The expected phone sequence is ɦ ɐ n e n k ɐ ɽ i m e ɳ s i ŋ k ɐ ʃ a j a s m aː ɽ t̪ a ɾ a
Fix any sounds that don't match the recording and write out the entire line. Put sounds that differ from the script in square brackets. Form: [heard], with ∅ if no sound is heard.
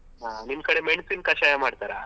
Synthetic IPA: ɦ [a] n [i] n k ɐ ɽ [e] m e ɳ s i [n] k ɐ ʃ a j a [∅] m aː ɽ t̪ a ɾ a